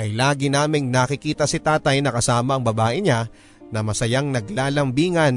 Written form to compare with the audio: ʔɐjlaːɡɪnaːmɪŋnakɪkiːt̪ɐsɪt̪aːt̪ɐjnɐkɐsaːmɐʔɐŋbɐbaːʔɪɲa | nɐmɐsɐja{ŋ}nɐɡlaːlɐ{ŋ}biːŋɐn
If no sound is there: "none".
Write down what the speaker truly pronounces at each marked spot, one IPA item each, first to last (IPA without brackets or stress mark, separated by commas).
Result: ŋ, m